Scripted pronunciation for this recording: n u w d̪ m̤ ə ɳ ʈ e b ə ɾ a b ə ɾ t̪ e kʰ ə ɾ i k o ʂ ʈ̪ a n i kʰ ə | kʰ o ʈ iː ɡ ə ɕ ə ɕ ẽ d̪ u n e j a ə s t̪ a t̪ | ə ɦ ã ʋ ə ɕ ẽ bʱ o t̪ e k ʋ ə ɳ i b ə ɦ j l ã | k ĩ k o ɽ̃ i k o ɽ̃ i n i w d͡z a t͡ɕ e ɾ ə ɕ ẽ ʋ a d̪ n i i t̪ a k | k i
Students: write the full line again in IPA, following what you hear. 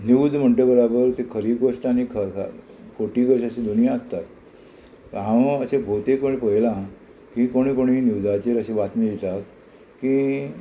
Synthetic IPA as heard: n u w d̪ m̤ ə ɳ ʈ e b ə ɾ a b ə ɾ t̪ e kʰ ə ɾ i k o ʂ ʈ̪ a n i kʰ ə | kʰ o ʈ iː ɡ ə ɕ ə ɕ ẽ d̪ u n i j a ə s t̪ a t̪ | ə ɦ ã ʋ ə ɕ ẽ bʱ o t̪ e k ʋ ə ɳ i p ə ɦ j l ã | k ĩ k o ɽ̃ i k o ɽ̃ i n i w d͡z a t͡ɕ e ɾ ə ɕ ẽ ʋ a t̪ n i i t̪ a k | k i